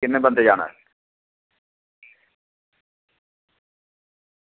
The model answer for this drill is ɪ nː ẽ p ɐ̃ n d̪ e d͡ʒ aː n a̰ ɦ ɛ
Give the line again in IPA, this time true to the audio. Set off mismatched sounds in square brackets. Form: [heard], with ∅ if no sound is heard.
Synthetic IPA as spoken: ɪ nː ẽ [b] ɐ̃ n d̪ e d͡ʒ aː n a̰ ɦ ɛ